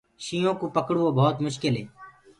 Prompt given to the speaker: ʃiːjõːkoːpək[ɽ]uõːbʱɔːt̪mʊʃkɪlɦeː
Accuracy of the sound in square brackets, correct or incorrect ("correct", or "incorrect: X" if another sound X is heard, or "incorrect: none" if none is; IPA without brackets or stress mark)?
correct